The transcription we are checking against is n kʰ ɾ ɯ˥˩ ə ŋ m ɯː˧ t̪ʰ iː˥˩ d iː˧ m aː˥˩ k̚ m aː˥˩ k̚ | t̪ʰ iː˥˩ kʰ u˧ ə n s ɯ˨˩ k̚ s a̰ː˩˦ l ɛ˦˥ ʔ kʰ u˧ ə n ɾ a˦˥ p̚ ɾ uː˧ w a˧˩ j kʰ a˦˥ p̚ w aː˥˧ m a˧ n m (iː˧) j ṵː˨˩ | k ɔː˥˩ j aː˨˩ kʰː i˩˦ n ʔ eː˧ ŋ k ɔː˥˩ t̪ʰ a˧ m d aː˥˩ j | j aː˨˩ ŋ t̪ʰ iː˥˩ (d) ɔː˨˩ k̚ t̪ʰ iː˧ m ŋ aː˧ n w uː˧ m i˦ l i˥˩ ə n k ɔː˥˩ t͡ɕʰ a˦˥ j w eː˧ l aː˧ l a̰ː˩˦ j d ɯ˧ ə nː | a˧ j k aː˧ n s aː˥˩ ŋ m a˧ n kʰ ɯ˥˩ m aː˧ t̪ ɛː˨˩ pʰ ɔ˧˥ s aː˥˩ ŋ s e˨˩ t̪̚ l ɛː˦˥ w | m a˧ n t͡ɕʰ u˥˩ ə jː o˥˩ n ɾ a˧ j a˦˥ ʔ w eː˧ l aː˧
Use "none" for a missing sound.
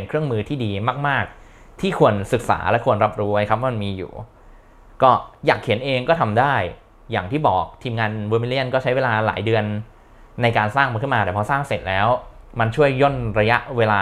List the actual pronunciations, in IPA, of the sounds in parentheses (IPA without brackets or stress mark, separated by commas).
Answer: iː˧, b